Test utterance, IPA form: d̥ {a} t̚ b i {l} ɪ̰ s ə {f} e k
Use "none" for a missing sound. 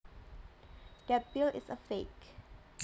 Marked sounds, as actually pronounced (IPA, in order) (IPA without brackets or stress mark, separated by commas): ɛ, l, f